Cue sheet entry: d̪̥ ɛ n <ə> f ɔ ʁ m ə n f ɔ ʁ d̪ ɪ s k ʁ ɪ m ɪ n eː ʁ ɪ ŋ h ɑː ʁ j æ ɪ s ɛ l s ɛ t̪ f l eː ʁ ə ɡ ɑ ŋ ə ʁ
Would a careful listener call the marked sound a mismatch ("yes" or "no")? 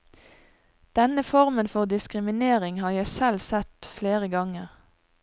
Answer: no